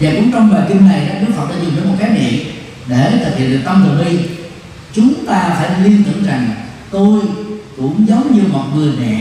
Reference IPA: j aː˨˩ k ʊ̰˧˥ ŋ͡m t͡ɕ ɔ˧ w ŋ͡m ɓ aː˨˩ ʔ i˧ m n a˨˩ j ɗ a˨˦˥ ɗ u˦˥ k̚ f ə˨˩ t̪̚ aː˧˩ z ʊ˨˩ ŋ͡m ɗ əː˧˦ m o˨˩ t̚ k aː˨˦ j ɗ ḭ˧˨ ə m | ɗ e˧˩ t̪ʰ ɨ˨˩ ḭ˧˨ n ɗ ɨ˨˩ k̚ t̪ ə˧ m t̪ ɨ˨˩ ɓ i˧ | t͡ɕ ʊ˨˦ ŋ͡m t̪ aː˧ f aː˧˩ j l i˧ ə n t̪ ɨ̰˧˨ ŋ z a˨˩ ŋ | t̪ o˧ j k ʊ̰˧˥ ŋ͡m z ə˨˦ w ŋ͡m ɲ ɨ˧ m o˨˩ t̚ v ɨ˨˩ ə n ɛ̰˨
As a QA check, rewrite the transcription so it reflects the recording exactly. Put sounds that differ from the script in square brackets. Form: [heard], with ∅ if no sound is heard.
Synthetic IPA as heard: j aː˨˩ k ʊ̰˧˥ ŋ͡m t͡ɕ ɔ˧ w ŋ͡m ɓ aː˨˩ [k] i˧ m n a˨˩ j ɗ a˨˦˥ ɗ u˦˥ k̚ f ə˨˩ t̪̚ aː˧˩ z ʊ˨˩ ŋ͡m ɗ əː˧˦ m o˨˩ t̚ k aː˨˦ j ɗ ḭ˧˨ ə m | ɗ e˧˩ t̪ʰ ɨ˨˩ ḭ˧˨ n ɗ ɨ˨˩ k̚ t̪ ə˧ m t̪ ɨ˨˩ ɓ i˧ | t͡ɕ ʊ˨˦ ŋ͡m t̪ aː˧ f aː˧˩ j l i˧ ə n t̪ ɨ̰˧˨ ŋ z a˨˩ ŋ | t̪ o˧ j k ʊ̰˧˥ ŋ͡m z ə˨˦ w ŋ͡m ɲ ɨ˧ m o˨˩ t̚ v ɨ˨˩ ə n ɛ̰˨